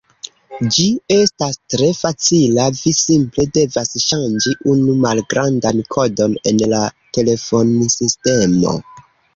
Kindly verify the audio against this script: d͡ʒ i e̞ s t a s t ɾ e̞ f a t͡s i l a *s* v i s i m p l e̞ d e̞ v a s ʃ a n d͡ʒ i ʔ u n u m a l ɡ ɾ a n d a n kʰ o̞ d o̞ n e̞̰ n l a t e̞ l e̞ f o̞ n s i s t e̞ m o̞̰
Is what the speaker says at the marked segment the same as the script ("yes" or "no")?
no